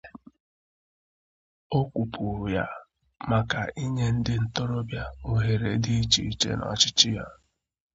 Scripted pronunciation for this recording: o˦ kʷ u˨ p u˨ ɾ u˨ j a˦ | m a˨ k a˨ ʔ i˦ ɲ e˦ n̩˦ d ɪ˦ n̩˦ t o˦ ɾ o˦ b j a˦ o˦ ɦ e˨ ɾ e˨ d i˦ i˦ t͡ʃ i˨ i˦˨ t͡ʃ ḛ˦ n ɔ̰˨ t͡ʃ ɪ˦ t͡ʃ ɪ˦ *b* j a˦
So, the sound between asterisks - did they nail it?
no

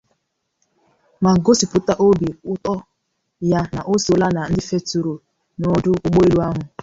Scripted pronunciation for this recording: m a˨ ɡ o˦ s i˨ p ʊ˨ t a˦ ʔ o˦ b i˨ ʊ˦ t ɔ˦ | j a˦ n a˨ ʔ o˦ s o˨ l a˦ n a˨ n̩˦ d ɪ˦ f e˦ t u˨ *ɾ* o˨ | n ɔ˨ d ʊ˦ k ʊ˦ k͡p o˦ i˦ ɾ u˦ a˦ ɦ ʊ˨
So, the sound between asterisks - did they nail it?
yes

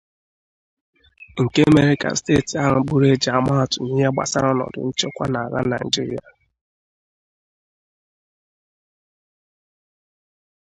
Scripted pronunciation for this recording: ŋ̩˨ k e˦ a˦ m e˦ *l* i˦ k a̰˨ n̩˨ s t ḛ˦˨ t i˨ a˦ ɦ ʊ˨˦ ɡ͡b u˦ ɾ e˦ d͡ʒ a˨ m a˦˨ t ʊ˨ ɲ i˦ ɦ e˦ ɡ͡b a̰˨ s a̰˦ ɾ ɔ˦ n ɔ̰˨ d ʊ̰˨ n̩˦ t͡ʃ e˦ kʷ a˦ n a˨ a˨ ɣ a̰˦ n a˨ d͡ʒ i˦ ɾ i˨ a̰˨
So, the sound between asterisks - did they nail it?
no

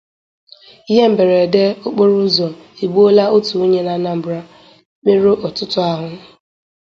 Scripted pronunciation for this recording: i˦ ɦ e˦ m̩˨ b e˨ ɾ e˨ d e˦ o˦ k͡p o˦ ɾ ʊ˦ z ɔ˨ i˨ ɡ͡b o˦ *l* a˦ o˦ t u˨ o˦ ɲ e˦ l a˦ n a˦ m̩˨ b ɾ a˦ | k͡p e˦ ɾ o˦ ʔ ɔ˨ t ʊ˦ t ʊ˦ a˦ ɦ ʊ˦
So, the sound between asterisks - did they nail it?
yes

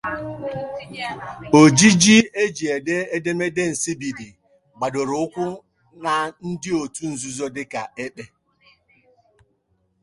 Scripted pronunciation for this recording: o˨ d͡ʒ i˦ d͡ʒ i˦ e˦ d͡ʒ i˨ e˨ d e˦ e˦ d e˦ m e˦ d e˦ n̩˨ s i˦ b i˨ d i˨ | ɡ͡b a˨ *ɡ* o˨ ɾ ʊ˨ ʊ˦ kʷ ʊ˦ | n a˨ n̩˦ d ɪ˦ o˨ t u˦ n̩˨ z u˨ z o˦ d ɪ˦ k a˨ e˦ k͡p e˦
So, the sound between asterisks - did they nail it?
no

